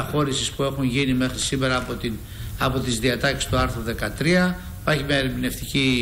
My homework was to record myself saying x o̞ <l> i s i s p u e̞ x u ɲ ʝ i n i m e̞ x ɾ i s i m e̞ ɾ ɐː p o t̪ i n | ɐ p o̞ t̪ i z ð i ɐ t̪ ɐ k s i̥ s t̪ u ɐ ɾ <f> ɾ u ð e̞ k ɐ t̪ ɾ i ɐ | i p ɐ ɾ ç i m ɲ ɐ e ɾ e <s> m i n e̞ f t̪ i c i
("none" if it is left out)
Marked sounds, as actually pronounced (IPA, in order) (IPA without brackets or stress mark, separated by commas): ɾ, θ, none